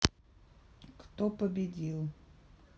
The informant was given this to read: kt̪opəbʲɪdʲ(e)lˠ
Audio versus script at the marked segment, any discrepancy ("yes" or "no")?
yes